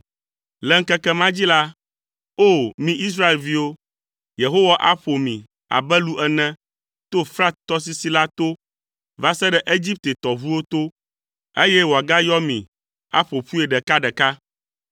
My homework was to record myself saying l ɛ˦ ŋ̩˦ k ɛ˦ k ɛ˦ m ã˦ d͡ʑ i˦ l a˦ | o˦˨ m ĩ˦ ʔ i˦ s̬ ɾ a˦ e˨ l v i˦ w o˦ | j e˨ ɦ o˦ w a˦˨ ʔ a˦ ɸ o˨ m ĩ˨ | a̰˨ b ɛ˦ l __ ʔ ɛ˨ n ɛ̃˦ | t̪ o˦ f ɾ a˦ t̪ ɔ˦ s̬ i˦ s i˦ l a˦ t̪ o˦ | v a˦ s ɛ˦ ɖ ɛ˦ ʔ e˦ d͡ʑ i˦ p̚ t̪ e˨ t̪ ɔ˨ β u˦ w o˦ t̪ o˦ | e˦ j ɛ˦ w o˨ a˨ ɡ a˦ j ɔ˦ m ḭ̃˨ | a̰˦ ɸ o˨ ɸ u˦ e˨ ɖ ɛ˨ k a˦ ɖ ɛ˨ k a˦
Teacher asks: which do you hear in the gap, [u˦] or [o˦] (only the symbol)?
u˦